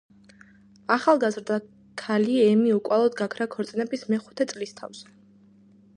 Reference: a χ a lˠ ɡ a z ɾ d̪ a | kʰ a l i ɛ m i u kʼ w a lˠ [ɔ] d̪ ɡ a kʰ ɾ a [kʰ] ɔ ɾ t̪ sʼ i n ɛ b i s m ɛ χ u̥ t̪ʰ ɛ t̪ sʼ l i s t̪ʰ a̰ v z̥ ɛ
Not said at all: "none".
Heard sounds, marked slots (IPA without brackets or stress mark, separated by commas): ɔ, kʰ